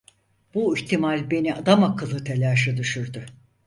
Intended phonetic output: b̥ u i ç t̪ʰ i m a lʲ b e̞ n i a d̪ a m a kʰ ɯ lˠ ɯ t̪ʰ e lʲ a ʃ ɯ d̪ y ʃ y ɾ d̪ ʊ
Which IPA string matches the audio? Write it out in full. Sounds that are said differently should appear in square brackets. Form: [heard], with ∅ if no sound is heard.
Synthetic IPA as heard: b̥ u i ç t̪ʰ i m a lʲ b e̞ n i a d̪ a m a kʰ ɯ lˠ ɯ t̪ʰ e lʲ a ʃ ɯ d̪ y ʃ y ɾ d̪ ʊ